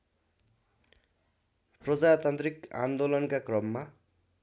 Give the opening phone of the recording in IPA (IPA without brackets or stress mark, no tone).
p